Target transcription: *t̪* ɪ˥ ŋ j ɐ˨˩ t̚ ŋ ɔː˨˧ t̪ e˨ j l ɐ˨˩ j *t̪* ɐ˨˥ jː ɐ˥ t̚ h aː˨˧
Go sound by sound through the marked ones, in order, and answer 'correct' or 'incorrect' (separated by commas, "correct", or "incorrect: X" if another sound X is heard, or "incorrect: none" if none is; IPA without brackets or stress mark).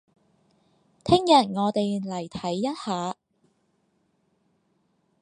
incorrect: t̪ʰ, incorrect: t̪ʰ